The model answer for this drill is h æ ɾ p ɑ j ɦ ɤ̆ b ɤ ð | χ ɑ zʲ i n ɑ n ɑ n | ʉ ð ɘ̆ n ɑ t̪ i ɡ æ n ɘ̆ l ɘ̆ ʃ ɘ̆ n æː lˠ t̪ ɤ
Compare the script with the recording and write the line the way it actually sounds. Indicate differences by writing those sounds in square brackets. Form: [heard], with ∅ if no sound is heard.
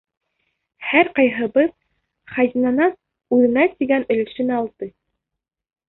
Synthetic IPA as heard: h æ ɾ [q] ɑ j ɦ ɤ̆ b ɤ ð | χ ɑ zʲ i n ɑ n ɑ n | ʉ ð ɘ̆ n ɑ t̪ i ɡ æ n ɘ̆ l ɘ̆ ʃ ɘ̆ n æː lˠ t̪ ɤ